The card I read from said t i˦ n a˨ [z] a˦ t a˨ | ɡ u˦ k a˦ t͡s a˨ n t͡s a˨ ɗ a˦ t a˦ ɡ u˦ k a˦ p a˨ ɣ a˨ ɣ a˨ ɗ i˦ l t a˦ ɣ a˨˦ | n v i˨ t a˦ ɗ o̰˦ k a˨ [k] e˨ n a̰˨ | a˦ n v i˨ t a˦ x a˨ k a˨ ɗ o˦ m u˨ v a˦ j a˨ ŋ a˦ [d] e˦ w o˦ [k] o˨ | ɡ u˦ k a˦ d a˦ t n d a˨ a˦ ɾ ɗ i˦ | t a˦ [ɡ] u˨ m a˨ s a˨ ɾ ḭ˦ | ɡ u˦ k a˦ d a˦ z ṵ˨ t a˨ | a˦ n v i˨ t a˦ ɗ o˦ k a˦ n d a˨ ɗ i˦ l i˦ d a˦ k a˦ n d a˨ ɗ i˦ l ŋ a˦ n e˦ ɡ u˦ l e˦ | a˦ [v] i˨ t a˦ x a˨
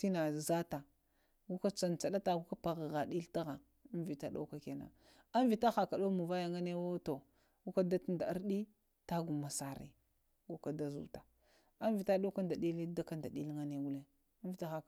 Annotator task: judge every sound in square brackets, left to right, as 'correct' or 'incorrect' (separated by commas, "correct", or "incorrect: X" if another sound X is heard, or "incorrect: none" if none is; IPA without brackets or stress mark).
correct, correct, incorrect: n, incorrect: t, correct, correct